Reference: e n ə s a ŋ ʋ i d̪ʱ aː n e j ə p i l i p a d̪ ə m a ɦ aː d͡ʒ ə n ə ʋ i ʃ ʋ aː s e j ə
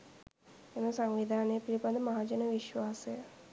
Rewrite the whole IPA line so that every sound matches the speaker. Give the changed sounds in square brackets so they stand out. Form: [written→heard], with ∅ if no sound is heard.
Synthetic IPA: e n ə s a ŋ ʋ i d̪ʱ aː n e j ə p i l i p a d̪ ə m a ɦ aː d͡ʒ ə n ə ʋ i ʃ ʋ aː s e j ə